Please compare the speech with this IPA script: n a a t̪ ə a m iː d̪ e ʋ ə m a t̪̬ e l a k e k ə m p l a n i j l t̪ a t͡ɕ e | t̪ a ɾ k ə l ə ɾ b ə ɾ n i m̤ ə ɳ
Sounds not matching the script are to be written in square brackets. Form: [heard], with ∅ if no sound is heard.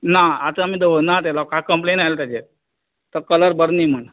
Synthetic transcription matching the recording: n a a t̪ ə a m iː d̪ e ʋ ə [n] a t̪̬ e l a k [a] k ə m p l [e] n [a] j l t̪ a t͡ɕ e | t̪ [ə] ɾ k ə l ə ɾ b ə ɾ n i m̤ ə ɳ